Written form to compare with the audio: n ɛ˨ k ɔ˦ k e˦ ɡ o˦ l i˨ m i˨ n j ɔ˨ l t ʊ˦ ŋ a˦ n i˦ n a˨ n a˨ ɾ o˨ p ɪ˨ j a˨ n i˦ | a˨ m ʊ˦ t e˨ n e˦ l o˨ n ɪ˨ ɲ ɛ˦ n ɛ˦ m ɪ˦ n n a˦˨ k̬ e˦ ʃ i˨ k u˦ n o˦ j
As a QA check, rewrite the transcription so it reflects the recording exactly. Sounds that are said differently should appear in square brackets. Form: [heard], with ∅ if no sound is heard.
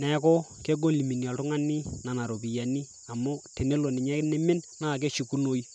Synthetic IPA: n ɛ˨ k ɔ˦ k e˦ ɡ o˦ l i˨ m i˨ n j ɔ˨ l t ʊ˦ ŋ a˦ n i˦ n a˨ n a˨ ɾ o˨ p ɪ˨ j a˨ n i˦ | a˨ m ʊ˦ t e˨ n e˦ l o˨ n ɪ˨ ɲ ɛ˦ n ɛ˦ m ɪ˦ n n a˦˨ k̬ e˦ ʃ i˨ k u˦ n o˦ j